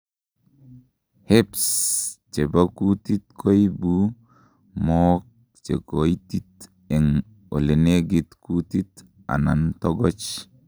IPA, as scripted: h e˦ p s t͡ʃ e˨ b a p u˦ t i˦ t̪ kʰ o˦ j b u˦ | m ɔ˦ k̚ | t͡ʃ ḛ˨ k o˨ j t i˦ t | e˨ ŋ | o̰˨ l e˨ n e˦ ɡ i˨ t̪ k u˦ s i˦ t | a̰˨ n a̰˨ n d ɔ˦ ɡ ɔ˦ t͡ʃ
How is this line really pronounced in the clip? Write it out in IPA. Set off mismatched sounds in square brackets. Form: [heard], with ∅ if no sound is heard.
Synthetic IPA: h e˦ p s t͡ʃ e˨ b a [k] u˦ t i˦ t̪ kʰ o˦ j b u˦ | m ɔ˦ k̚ | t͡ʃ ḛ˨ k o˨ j t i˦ t | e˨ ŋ | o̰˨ l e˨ n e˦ ɡ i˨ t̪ k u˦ [t] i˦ t | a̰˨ n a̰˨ n [t] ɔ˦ ɡ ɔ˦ t͡ʃ